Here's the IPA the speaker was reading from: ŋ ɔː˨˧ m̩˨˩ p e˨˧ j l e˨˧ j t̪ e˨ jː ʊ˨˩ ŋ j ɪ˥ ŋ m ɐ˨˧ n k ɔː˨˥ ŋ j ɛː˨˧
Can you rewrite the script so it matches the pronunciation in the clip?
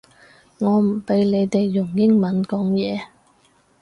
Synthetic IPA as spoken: ŋ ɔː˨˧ m̩˨˩ p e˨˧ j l e˨˧ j t̪ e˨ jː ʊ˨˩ ŋ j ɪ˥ ŋ m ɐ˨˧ n k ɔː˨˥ ŋ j ɛː˨˧